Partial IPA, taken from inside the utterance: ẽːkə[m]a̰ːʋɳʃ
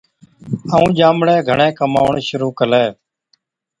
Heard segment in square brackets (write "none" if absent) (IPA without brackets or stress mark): m